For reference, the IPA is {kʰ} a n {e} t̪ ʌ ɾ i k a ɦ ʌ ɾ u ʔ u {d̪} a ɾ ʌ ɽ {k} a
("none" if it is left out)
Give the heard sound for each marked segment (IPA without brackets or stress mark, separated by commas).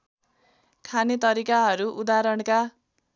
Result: kʰ, e, d̪, k